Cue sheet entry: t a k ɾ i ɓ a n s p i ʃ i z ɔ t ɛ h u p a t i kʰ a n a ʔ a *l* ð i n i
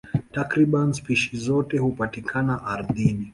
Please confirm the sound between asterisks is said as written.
no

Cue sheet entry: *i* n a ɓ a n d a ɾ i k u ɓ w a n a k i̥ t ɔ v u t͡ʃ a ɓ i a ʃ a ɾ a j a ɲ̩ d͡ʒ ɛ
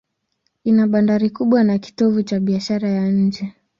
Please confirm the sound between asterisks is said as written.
yes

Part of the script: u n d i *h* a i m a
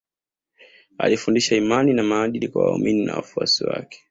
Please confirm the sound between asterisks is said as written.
no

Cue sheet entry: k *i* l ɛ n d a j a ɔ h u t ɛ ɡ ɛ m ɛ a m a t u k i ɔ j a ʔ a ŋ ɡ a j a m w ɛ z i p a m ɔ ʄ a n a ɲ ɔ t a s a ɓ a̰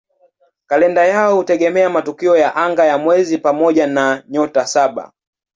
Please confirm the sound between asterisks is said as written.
no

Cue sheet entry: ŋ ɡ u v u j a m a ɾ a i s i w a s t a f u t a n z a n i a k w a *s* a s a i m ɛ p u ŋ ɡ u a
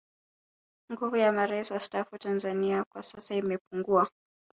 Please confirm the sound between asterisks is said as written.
yes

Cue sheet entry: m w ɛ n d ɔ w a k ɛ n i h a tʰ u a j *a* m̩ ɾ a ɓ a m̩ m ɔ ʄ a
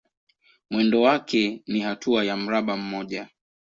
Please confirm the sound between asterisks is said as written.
yes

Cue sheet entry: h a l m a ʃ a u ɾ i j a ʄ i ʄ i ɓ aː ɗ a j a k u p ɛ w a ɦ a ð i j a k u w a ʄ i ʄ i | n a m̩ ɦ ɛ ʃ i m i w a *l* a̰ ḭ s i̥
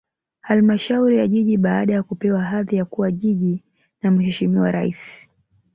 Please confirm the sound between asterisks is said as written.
no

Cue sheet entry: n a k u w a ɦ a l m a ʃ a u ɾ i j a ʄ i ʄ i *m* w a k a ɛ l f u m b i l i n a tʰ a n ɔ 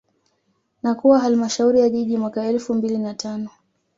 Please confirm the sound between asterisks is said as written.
yes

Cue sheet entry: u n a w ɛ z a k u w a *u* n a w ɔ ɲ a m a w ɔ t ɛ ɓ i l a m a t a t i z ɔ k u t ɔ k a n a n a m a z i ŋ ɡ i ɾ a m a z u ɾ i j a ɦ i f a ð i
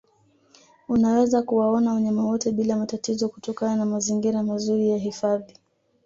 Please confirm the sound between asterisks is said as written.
no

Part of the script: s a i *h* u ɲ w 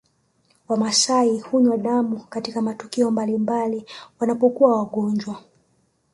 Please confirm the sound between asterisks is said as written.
yes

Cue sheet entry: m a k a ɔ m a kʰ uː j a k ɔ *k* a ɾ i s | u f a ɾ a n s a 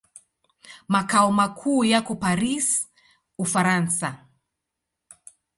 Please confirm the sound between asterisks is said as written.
no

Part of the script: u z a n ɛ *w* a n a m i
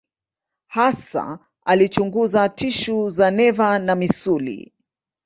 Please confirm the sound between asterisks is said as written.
no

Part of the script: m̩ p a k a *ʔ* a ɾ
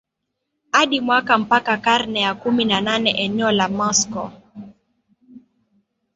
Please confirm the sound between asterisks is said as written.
no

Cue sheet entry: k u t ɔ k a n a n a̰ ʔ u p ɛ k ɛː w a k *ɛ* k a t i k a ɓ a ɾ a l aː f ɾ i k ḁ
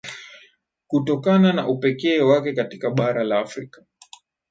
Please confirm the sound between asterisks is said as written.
yes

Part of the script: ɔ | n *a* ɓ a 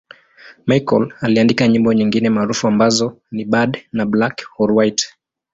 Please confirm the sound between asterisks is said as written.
no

